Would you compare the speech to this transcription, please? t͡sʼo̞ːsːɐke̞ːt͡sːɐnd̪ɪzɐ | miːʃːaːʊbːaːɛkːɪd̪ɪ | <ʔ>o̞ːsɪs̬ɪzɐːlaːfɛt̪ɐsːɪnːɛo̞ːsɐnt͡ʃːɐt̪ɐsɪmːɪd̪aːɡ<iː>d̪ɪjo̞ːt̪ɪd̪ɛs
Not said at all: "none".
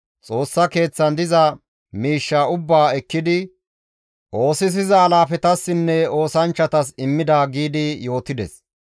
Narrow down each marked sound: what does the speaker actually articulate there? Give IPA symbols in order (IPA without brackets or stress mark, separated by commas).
ʔ, iː